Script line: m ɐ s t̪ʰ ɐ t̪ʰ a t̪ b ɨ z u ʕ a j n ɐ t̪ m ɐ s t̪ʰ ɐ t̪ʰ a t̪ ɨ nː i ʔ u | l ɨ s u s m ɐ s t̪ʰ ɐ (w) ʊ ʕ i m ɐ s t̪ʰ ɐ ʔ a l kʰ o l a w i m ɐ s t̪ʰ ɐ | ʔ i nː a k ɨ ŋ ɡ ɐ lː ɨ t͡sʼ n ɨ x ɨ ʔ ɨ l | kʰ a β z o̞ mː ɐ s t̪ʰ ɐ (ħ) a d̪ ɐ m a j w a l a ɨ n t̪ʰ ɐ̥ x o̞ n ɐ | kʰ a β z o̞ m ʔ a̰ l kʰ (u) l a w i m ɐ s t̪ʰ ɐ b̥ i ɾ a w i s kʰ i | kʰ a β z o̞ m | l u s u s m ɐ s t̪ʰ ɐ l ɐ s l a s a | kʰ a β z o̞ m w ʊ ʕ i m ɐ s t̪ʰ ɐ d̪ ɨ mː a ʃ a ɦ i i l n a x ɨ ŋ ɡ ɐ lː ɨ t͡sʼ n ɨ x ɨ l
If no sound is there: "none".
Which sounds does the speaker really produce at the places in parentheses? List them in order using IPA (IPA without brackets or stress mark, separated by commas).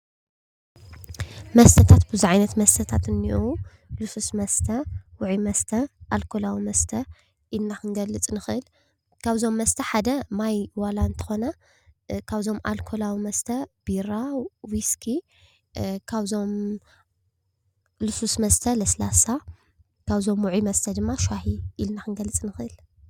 w, ħ, o